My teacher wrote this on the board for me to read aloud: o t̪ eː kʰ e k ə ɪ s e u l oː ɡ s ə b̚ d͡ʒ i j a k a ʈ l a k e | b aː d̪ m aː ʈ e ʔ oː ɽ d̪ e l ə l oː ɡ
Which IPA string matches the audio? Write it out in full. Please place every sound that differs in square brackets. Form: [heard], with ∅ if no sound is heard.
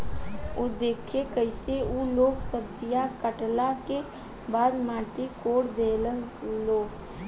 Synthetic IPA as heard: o [d̪] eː kʰ e k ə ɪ s e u l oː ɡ s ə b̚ d͡ʒ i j a k [ə] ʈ l a k e | b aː d̪ m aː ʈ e [k] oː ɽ d̪ e l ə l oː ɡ